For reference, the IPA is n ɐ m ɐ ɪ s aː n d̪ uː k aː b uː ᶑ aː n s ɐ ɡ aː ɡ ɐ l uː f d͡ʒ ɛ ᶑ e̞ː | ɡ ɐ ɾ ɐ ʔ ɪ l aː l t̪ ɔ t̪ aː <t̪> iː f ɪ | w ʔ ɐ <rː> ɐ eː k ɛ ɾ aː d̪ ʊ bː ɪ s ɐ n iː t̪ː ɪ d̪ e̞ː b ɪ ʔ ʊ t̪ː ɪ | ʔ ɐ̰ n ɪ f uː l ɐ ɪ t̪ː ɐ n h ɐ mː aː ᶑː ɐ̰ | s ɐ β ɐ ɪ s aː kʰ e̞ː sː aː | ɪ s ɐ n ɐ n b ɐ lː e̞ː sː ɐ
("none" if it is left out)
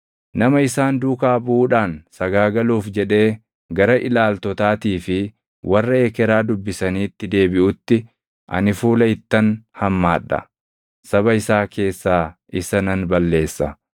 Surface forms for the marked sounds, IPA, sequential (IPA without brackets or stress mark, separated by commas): t̪, rː